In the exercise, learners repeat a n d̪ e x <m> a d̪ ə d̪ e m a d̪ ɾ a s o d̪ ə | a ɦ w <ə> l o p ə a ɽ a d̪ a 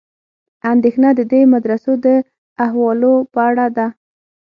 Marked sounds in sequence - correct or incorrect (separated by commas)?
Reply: incorrect, incorrect